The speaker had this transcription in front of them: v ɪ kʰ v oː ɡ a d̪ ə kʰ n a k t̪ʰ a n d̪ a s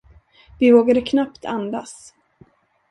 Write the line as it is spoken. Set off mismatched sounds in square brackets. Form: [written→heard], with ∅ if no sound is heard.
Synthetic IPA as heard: v ɪ [kʰ→∅] v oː ɡ a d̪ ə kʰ n a [k→p] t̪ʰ a n d̪ a s